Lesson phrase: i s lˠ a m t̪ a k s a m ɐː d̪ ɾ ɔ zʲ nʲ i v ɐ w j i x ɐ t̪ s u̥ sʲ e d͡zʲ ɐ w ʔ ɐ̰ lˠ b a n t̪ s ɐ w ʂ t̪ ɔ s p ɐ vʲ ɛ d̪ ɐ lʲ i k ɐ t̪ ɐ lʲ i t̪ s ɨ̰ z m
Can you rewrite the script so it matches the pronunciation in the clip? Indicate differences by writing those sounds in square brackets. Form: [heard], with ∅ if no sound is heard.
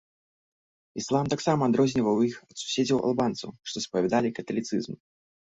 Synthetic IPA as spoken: i s lˠ a m t̪ a k s a m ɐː d̪ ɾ ɔ zʲ nʲ i v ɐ w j i x ɐ t̪ s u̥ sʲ e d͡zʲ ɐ w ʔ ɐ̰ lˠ b a n t̪ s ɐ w ʂ t̪ ɔ s p ɐ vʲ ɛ d̪ [a] lʲ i k ɐ t̪ ɐ lʲ i t̪ s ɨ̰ z m